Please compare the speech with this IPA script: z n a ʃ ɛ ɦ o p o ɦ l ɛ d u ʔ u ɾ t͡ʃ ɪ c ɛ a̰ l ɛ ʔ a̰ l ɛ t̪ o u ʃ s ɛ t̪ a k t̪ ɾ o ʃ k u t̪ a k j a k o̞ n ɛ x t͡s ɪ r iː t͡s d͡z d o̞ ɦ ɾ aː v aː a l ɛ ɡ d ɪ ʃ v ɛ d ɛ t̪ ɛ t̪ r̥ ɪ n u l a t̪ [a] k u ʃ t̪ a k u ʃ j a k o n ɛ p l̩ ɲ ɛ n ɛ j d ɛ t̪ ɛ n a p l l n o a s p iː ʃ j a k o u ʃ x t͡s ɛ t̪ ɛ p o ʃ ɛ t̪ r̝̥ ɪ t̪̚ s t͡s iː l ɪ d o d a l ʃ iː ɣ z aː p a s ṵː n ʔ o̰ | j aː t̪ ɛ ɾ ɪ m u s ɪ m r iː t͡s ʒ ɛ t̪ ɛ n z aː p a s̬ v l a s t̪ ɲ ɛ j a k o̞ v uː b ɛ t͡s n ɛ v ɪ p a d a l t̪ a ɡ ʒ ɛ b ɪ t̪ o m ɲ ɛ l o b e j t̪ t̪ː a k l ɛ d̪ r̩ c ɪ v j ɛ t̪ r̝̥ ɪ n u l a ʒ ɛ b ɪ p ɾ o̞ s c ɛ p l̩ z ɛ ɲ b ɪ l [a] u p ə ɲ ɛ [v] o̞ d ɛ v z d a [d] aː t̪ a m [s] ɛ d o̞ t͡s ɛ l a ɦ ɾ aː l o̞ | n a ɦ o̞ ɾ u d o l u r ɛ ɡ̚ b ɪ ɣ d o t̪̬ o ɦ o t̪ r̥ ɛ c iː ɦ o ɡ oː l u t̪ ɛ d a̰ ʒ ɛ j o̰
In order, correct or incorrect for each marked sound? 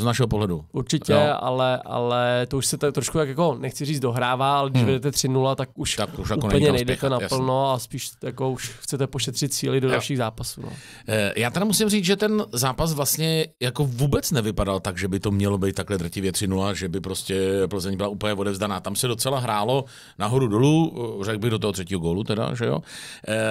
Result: correct, correct, correct, incorrect, correct

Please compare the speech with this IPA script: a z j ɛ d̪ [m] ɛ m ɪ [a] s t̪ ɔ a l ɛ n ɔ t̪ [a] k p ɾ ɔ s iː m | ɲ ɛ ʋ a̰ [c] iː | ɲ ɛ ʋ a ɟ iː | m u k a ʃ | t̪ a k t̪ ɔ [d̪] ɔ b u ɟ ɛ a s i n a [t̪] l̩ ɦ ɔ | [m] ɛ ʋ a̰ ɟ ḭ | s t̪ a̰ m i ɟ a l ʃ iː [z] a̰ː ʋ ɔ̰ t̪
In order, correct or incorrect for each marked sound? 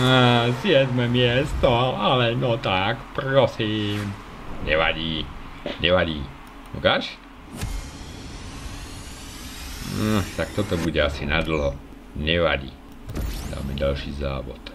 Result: correct, incorrect, correct, incorrect, incorrect, incorrect, incorrect, correct

